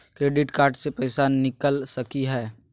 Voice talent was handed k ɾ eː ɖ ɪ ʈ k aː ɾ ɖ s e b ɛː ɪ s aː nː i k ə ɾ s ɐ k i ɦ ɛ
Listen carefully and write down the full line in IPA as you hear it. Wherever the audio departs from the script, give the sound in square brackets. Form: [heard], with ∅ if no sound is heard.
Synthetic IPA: k ɾ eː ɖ ɪ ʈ k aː ɾ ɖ s e [p] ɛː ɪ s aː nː [ɪ] k ə [l] s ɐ k i ɦ [ɛː]